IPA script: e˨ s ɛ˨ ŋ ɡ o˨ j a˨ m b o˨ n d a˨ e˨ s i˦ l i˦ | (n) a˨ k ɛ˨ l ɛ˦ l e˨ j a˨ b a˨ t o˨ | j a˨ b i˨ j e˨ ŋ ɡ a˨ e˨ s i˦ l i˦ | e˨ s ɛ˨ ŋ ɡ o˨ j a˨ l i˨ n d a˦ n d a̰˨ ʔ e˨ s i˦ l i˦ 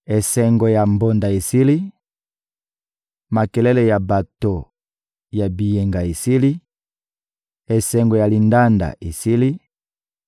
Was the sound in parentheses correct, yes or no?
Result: no